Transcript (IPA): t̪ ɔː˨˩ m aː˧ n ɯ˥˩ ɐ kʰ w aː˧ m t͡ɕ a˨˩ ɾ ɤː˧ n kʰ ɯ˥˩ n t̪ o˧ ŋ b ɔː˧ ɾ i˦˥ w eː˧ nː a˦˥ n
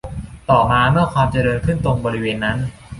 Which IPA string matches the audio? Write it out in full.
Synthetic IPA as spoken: t̪ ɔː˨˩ m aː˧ m ɯ˥˩ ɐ kʰ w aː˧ m t͡ɕ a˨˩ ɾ ɤː˧ n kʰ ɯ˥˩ n t̪ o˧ ŋ b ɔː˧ ɾ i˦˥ w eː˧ nː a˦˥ n